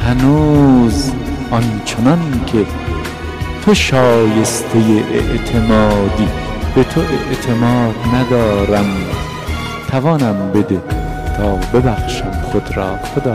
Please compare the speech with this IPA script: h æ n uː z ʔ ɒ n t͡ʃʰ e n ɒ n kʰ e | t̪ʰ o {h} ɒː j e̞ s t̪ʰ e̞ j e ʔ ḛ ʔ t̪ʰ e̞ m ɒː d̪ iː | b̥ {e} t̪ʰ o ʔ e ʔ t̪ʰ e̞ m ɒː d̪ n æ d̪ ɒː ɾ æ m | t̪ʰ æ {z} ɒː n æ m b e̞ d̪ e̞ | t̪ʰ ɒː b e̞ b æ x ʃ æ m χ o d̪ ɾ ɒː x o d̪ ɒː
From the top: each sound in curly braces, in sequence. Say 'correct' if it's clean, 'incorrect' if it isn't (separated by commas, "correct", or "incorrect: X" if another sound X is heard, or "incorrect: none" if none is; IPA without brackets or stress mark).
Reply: incorrect: ʃ, correct, incorrect: v